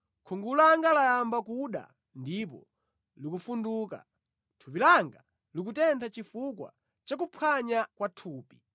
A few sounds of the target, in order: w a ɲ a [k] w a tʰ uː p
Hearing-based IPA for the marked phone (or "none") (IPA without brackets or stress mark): k